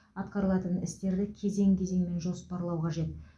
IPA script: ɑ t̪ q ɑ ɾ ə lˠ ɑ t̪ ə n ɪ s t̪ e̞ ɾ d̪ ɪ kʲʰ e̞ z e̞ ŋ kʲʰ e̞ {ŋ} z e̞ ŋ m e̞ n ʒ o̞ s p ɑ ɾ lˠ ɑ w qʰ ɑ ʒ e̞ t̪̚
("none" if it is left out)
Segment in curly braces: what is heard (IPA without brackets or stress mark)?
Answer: none